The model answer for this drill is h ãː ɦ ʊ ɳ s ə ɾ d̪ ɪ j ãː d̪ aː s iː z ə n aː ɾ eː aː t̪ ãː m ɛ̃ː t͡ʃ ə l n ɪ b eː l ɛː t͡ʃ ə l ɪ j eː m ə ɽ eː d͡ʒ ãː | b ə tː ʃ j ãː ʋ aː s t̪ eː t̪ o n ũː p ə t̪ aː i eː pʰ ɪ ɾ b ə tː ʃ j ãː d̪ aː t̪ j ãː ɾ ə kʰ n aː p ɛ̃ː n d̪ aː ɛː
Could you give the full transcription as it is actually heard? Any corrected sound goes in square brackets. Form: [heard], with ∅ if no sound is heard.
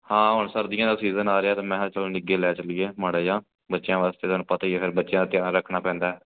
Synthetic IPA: h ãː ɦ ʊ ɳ s ə ɾ d̪ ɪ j ãː d̪ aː s iː z ə n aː ɾ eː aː t̪ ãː m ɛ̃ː t͡ʃ ə l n ɪ [ɡ] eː l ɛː t͡ʃ ə l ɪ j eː m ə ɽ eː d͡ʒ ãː | b ə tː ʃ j ãː ʋ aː s t̪ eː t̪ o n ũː p ə t̪ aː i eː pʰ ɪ ɾ b ə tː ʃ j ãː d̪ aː t̪ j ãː ɾ ə kʰ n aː p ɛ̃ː n d̪ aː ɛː